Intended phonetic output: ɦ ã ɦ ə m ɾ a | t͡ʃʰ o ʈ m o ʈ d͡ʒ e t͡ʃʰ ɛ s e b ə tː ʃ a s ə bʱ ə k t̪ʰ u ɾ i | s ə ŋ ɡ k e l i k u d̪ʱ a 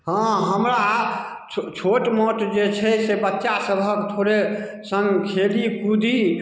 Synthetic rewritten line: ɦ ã ɦ ə m ɾ a | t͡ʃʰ o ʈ m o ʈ d͡ʒ e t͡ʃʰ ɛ s e b ə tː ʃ a s ə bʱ ə k t̪ʰ o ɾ e | s ə ŋ ɡ kʰ e l i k u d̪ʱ i

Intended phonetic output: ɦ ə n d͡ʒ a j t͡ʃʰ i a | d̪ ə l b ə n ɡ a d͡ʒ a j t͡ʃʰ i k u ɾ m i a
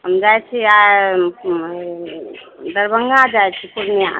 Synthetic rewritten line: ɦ ə m d͡ʒ a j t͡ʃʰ i a | d̪ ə ɾ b ə ŋ ɡ a d͡ʒ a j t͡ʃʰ i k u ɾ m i a

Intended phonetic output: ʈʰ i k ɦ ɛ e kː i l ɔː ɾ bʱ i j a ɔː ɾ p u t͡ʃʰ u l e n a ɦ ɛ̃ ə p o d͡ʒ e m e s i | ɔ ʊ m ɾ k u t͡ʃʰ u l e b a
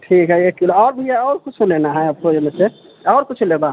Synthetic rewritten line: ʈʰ i k ɦ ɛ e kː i l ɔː ɾ bʱ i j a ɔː ɾ k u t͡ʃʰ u l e n a ɦ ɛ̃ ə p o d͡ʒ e m e s e | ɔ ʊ ɾ k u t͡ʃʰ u l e b a

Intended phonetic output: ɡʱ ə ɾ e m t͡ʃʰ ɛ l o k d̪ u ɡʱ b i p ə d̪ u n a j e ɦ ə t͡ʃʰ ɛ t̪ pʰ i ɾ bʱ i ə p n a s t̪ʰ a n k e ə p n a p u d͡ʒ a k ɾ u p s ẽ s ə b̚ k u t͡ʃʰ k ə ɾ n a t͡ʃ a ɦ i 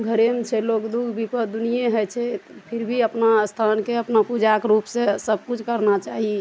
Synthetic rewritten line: ɡʱ ə ɾ e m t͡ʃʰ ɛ l o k d̪ u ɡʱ b i p ə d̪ u n i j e ɦ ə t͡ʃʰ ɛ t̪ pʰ i ɾ bʱ i ə p n a s t̪ʰ a n k e ə p n a p u d͡ʒ a k ɾ u p s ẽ s ə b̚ k u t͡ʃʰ k ə ɾ n a t͡ʃ a ɦ i

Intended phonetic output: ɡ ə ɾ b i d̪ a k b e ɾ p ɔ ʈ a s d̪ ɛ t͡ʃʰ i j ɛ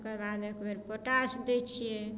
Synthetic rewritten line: k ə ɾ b a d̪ e k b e ɾ p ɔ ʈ a s d̪ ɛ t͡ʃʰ i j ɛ

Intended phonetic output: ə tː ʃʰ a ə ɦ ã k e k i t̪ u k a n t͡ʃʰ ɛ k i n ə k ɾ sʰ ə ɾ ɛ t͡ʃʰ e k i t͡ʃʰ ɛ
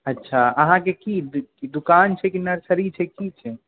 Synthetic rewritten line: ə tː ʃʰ a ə ɦ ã k e k i d̪ u k a n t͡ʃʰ ɛ k i n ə ɾ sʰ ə ɾ i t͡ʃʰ ɛ k i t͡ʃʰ ɛ

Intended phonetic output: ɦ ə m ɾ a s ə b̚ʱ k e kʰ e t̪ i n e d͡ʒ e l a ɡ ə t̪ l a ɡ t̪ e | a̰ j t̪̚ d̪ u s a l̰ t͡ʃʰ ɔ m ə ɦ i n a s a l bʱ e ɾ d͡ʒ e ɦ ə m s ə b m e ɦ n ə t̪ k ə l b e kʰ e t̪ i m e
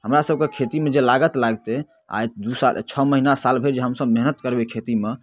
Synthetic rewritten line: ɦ ə m ɾ a s ə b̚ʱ k e kʰ e t̪ i m e d͡ʒ e l a ɡ ə t̪ l a ɡ t̪ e | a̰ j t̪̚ d̪ u s a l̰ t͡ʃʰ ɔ m ə ɦ i n a s a l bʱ e ɾ d͡ʒ e ɦ ə m s ə b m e ɦ n ə t̪ k ə ɾ b e kʰ e t̪ i m e

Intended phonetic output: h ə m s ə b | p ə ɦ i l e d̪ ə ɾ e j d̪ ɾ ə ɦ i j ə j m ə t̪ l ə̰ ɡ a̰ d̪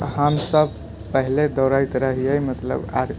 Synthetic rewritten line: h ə m s ə b | p ə ɦ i l e d̪ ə ɾ a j t̪ ɾ ə ɦ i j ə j m ə t̪ l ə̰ b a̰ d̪

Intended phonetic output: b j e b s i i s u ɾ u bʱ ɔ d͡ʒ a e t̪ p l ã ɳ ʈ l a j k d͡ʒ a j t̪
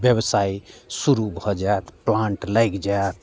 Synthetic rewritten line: b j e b s a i s u ɾ u bʱ ɔ d͡ʒ a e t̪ p l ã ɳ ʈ l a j k d͡ʒ a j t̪

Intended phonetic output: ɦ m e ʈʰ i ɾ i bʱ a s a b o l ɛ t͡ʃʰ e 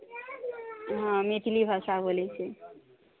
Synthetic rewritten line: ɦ m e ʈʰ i l i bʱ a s a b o l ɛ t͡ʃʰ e

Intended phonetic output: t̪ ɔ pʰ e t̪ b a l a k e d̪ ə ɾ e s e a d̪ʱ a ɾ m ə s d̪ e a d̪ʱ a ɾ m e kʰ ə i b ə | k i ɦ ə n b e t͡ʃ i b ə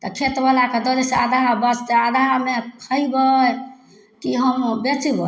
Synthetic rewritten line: t̪ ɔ kʰ e t̪ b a l a k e d̪ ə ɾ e s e a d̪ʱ a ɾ b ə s t̪ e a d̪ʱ a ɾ m e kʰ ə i b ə | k i ɦ ə m b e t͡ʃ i b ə

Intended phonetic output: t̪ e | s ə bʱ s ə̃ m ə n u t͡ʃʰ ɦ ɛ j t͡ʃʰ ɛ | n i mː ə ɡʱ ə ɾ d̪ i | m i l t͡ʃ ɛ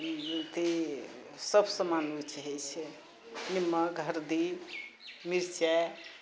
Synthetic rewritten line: t̪ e | s ə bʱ s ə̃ m a n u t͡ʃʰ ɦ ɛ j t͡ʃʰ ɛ | n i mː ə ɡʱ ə ɾ d̪ i | m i ɾ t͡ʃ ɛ

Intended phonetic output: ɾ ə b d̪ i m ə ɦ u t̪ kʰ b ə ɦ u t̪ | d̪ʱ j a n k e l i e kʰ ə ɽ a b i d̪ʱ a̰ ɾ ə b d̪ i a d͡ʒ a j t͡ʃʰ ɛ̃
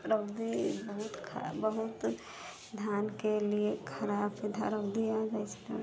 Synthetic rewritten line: ɾ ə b d̪ i b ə ɦ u t̪ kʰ b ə ɦ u t̪ | d̪ʱ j a n k e l i e kʰ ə ɾ a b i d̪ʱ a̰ ɾ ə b d̪ i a d͡ʒ a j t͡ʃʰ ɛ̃

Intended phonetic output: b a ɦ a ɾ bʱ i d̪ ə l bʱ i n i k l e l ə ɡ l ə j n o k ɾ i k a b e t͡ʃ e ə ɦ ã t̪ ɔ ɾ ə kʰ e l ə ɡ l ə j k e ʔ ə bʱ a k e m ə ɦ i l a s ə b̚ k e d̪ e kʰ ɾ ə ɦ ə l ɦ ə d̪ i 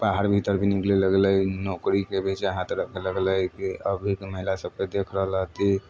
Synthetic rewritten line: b a ɦ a ɾ bʱ i t̪ ə ɾ bʱ i n i k l e l ə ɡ l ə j n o k ɾ i k e b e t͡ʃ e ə ɦ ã t̪ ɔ ɾ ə kʰ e l ə ɡ l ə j k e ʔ ə bʱ i k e m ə ɦ i l a s ə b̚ k e d̪ e kʰ ɾ ə ɦ ə l ɦ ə t̪ i

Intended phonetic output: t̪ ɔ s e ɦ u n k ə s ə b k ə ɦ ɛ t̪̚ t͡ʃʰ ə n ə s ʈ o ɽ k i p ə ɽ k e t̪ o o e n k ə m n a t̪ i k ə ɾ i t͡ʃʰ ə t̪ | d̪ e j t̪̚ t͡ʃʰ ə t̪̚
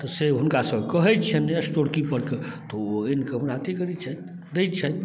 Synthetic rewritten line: t̪ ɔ s e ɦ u n k a s ə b k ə ɦ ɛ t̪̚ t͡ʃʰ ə n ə s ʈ o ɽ k i p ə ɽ k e t̪ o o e n k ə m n a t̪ i k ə ɾ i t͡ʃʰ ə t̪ | d̪ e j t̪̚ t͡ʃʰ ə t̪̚

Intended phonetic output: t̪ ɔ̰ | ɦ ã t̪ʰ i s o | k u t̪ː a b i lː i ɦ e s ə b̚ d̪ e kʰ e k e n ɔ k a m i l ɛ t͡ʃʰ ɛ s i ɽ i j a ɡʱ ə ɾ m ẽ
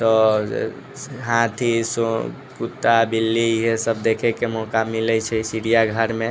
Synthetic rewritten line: t̪ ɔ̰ | ɦ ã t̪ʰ i s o | k u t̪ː a b i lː i ɦ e s ə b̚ d̪ e kʰ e k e m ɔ k a m i l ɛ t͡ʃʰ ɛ s i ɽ i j a ɡʱ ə ɾ m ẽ

